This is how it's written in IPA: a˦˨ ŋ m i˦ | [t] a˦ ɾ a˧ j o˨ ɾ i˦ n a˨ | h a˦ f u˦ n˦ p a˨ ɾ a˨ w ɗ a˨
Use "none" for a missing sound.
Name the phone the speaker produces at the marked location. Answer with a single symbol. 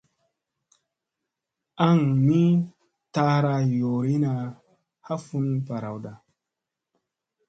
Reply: t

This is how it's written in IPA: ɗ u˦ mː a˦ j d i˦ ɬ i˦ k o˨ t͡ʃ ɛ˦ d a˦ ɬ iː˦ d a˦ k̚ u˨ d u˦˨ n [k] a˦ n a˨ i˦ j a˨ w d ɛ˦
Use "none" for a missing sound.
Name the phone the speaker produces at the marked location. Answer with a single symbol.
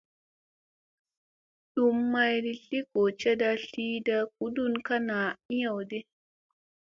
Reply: k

